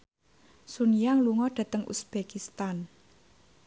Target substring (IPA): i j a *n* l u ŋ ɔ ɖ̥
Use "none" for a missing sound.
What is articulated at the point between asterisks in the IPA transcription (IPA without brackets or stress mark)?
ŋ